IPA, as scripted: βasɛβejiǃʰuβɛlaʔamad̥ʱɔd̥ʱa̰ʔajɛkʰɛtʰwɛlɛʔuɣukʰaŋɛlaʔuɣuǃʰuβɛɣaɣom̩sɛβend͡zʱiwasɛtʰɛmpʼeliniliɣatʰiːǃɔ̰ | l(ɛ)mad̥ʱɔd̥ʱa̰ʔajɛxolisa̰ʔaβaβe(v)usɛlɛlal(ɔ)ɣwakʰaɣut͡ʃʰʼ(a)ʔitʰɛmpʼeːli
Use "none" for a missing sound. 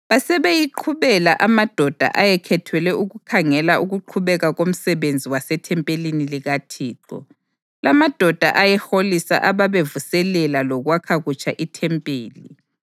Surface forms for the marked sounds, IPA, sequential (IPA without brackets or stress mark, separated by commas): a, v, ɔ, a